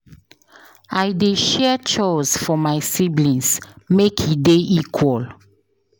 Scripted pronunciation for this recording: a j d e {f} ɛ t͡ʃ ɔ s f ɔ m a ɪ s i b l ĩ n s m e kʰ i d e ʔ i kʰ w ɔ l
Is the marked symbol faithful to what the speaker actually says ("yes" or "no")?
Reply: no